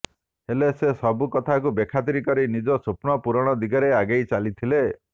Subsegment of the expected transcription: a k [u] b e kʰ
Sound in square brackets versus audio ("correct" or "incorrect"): correct